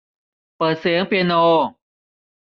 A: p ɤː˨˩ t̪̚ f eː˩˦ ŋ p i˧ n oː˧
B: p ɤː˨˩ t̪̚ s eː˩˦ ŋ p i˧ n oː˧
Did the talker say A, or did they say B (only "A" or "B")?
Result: B